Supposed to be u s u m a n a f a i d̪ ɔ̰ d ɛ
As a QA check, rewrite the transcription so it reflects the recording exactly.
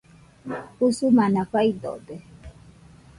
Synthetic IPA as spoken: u s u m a n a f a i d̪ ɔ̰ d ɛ